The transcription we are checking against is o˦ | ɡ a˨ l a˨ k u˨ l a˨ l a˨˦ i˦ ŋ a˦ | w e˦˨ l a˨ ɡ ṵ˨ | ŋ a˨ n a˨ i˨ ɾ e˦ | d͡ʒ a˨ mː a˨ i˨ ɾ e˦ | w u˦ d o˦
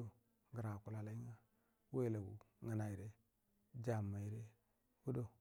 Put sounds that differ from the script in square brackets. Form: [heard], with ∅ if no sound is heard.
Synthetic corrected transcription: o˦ | ɡ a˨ [ɾ] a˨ k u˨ l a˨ l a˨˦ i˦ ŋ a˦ | w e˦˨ l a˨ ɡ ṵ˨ | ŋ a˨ n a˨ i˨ ɾ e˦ | d͡ʒ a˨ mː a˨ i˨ ɾ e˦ | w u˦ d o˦